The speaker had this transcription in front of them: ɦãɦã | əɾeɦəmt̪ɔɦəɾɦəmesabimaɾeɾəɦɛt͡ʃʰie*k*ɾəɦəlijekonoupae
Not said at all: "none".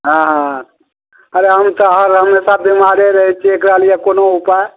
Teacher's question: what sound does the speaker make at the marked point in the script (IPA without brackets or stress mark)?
k